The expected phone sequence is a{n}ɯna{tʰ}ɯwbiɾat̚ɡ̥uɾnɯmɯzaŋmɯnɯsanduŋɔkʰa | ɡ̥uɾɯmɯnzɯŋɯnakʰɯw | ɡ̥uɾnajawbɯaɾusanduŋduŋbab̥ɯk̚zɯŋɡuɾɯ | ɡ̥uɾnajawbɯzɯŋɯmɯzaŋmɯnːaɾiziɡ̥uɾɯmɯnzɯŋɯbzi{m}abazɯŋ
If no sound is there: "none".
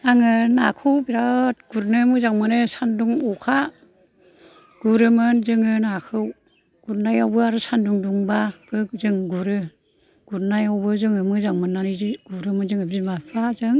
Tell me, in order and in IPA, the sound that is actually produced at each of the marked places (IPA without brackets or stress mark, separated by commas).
ŋ, kʰ, m